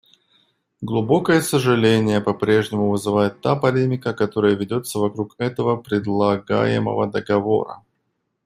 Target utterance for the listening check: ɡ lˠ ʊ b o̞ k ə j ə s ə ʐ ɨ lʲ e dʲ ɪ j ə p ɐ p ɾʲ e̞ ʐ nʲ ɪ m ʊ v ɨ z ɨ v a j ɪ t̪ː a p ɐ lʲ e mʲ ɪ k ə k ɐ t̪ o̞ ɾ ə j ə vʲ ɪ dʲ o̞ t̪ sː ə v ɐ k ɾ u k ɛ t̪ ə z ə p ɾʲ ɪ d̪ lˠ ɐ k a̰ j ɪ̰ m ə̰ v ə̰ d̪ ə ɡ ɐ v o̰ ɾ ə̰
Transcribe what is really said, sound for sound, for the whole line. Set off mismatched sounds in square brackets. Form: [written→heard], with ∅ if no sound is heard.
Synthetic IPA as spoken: ɡ lˠ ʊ b o̞ k ə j ə s ə ʐ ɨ lʲ e [dʲ→nʲ] ɪ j ə p ɐ p ɾʲ e̞ ʐ nʲ ɪ m ʊ v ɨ z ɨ v a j ɪ t̪ː a p ɐ lʲ e mʲ ɪ k ə k ɐ t̪ o̞ ɾ ə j ə vʲ ɪ dʲ o̞ t̪ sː ə v ɐ k ɾ u k ɛ t̪ ə [z→v] ə p ɾʲ ɪ d̪ lˠ ɐ [k→ɡ] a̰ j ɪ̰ m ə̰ v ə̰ d̪ ə ɡ ɐ v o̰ ɾ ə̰